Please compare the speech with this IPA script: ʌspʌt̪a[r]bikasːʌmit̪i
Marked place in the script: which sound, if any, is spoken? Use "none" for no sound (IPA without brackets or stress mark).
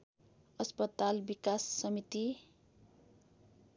l